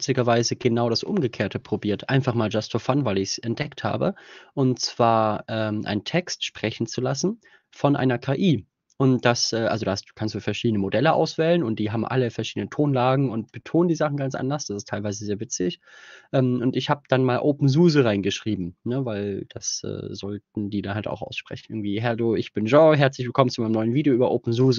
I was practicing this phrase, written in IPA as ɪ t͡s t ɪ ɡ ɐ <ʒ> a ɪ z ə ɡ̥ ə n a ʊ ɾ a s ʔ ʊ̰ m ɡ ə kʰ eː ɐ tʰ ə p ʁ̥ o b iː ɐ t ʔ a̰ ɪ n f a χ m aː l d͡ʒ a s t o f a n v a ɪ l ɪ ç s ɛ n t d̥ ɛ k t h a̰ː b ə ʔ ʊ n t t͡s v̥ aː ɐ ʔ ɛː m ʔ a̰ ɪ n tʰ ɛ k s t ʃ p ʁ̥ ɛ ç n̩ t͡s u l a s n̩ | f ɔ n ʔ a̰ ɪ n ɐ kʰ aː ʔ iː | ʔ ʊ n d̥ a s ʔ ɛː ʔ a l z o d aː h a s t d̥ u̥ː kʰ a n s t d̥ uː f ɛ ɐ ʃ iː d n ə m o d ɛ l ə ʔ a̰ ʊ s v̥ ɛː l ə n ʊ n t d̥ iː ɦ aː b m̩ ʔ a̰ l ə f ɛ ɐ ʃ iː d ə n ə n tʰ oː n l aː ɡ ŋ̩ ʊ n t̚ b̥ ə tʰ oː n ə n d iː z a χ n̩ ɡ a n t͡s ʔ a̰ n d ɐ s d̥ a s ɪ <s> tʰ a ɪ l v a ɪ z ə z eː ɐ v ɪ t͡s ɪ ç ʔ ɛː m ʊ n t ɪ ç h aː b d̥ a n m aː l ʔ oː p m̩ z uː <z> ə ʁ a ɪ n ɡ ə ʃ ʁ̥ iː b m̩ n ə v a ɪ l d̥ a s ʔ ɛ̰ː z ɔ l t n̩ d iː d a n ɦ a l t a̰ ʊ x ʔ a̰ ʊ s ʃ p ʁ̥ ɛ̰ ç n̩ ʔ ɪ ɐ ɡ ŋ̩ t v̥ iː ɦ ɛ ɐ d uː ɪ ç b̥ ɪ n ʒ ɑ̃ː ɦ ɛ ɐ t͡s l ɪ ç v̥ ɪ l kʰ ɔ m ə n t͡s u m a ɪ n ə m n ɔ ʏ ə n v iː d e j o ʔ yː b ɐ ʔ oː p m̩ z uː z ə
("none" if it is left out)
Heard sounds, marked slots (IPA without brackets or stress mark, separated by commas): v, s, z